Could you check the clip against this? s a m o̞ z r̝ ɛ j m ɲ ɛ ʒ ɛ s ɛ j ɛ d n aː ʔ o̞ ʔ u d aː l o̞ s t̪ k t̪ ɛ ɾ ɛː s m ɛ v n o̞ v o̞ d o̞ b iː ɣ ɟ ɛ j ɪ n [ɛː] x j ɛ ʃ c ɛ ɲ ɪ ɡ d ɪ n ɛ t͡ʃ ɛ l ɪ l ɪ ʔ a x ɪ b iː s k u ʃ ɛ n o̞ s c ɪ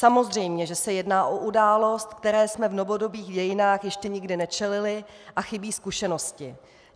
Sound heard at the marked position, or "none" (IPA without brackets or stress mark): aː